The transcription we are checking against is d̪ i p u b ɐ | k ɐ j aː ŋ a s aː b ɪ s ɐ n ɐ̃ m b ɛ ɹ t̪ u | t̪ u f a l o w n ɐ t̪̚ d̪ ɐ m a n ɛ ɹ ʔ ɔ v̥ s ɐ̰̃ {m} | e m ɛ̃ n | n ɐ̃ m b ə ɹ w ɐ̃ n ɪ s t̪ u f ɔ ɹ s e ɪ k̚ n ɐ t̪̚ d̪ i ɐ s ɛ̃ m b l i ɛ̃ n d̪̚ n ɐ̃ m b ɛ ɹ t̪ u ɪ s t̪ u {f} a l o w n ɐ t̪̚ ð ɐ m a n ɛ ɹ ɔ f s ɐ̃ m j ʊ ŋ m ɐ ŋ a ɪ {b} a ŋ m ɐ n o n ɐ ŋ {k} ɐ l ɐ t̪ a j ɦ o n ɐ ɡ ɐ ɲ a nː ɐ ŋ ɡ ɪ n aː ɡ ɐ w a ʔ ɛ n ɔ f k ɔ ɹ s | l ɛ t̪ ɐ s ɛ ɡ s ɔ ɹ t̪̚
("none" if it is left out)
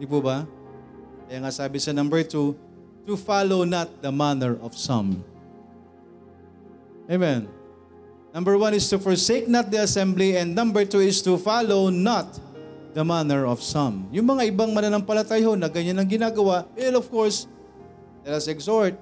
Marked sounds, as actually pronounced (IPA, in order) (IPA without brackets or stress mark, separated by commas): m, f, b, p